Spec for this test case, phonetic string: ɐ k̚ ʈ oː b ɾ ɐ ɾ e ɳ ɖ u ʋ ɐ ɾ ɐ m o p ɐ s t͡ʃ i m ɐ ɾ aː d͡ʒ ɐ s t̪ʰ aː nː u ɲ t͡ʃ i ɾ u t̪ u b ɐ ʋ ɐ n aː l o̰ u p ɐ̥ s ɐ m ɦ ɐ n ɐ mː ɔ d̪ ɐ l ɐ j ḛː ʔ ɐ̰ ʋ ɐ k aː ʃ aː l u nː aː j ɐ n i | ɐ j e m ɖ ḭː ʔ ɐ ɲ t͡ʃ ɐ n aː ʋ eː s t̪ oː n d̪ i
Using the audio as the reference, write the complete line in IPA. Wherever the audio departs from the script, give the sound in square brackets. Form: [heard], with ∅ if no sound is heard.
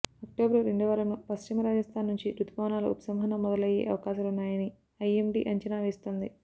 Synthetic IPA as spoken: ɐ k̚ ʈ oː b ɾ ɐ ɾ e ɳ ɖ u ʋ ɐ ɾ ɐ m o p ɐ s t͡ʃ i m ɐ ɾ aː d͡ʒ ɐ s t̪ʰ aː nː u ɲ t͡ʃ i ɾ u t̪ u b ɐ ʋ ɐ n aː l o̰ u p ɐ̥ s ɐ m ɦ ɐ n ɐ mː ɔ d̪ ɐ l ɐ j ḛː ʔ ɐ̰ ʋ ɐ k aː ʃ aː l u nː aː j ɐ n i | ɐ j e m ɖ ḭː ʔ ɐ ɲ t͡ʃ ɐ n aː ʋ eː s t̪ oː n d̪ i